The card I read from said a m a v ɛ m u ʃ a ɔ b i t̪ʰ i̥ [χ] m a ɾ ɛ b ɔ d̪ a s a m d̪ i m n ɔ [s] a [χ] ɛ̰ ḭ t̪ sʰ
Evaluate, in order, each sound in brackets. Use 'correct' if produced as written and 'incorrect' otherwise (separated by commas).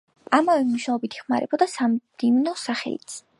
correct, correct, correct